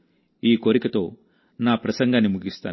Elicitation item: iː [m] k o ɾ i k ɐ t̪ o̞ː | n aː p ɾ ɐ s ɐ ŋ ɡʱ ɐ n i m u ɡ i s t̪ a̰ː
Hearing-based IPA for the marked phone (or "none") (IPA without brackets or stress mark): none